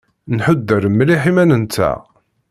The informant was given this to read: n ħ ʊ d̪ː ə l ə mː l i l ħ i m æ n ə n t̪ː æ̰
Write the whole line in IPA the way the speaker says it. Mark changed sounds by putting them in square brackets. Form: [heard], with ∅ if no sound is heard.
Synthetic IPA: n ħ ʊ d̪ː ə [ɾ] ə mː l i [∅] ħ i m æ n ə n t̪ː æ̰